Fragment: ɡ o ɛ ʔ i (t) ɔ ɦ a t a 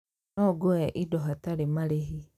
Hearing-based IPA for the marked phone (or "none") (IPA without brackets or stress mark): d